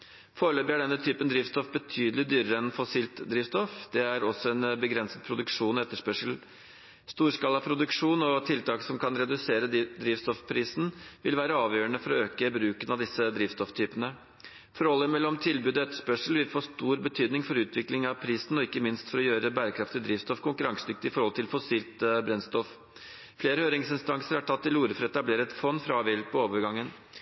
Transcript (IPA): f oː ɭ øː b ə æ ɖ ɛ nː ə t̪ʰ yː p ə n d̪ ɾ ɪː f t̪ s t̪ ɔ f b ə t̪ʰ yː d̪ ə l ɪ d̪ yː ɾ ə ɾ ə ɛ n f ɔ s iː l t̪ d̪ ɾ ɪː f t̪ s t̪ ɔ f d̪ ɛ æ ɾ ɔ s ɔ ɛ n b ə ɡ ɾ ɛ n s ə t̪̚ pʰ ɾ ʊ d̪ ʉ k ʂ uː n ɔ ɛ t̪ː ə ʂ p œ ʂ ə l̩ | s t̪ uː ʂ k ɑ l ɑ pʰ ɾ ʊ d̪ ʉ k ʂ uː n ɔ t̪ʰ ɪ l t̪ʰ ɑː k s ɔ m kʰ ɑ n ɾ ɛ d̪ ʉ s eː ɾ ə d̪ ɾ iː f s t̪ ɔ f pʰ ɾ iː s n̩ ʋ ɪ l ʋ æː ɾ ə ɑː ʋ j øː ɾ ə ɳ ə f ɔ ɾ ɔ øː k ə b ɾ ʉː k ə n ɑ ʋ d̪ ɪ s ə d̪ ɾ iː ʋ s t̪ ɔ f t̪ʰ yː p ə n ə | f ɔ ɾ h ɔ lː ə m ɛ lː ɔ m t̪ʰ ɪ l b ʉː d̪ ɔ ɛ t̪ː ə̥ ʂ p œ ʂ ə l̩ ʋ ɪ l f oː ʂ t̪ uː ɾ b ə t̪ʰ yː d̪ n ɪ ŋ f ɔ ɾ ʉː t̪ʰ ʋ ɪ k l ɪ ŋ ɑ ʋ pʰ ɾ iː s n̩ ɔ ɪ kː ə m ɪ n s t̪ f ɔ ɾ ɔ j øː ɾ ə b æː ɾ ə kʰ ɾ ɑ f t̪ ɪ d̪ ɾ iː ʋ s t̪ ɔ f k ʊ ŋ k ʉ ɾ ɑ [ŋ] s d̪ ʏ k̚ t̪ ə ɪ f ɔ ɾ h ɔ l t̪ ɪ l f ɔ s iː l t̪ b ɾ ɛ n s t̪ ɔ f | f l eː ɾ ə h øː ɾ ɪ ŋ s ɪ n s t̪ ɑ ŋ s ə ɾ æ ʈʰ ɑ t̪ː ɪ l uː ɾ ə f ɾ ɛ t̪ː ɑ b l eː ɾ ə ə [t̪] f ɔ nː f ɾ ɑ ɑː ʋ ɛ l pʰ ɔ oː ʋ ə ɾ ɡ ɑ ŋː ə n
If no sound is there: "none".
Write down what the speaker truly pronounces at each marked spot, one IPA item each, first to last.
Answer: ŋ, t̪

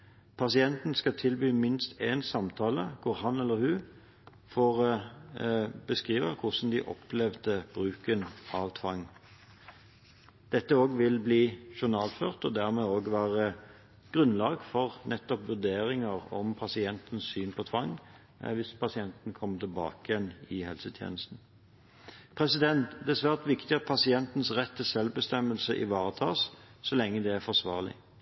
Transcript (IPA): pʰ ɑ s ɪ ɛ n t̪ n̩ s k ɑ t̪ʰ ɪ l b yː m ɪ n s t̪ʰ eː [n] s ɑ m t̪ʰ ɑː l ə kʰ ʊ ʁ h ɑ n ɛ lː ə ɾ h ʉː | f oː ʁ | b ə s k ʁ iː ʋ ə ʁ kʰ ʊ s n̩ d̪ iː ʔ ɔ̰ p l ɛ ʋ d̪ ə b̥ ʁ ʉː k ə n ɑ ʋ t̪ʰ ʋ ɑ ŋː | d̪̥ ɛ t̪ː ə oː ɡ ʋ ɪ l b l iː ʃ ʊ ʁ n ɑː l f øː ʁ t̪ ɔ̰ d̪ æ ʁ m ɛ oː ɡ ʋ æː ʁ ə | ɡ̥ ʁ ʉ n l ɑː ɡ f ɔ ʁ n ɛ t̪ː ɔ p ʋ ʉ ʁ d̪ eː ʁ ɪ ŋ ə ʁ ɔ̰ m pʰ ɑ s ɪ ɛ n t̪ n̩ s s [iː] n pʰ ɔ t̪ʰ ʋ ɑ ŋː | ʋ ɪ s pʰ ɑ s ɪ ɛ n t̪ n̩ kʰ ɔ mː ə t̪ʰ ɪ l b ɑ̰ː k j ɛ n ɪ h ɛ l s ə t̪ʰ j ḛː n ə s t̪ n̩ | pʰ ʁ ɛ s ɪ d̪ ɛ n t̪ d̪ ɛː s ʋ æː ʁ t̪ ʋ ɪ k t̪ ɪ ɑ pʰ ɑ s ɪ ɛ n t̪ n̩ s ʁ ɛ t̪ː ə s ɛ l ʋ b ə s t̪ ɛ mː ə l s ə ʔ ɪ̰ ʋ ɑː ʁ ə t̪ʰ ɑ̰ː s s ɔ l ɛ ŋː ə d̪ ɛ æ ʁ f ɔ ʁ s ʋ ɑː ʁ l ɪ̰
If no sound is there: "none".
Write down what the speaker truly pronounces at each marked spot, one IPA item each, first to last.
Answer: n, yː

